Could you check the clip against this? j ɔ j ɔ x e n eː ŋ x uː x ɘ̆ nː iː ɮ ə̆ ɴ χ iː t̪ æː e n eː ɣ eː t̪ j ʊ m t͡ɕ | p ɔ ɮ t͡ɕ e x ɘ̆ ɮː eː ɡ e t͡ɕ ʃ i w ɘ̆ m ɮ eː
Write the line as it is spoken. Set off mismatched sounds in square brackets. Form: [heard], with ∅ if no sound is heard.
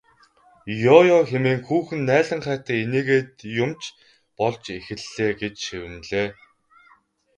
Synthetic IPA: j ɔ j ɔ x e [m] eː ŋ x uː x ɘ̆ nː [æː] ɮ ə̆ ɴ χ [æː] t̪ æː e n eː ɣ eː t̪ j ʊ m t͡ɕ | p ɔ ɮ t͡ɕ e x ɘ̆ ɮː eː ɡ e t͡ɕ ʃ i w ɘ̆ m ɮ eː